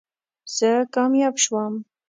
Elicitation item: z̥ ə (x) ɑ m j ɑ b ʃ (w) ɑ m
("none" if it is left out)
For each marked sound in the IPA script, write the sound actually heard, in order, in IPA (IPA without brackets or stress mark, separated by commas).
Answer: k, w